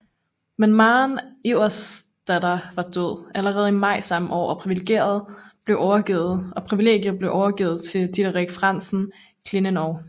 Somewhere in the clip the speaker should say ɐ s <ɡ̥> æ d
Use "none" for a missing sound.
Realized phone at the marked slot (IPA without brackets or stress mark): d̥